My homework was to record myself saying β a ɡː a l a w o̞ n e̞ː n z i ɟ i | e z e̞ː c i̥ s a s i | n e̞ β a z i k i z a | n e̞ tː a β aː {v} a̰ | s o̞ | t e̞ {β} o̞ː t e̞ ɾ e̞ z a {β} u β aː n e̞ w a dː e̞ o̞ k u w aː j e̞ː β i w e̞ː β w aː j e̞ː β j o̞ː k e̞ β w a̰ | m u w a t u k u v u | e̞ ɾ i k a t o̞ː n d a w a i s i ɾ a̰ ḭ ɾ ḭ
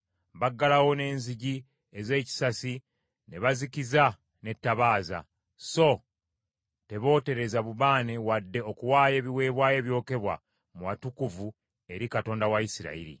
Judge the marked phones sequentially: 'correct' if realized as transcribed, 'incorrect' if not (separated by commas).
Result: incorrect, correct, correct